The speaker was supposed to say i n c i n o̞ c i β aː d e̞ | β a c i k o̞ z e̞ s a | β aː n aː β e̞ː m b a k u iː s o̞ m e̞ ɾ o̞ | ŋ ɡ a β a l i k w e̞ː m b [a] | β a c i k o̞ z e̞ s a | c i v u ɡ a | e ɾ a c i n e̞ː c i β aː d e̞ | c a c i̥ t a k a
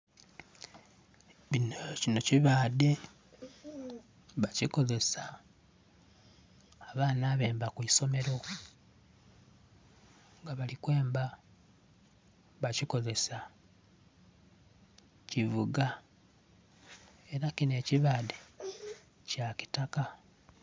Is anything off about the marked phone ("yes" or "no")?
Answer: no